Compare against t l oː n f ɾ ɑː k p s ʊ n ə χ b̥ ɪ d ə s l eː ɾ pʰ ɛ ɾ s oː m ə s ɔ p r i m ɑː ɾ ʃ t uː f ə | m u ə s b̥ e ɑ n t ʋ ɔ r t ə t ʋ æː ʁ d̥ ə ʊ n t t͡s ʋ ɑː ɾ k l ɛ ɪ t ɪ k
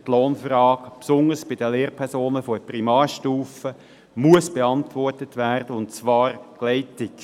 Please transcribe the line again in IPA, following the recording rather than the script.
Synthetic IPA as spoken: t l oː n f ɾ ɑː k p s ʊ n ə s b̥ ɪ d ə l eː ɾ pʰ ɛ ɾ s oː n ə f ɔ p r i m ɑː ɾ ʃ t uː f ə | m u ə s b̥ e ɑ n t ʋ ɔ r t ə t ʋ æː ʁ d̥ ə ʊ n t t͡s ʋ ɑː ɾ k l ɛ ɪ t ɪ k